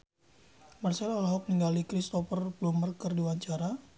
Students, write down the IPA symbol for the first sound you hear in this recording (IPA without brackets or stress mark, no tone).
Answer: m